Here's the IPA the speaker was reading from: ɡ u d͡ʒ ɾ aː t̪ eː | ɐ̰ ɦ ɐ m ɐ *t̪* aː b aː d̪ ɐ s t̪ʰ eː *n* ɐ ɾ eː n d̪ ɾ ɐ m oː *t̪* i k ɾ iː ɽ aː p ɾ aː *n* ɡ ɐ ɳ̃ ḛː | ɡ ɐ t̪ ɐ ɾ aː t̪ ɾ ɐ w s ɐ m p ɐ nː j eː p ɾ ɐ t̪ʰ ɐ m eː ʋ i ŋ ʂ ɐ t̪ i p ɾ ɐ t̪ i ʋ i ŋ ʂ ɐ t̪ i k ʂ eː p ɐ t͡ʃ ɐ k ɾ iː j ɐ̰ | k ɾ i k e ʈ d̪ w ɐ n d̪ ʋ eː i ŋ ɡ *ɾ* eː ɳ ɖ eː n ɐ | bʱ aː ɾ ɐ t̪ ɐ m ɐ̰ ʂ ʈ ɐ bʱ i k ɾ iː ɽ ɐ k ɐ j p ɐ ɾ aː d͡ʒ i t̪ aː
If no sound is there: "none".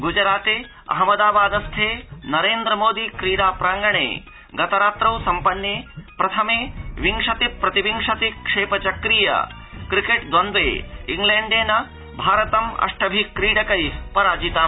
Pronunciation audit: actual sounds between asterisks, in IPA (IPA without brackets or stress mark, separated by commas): d̪, n, d̪, ŋ, l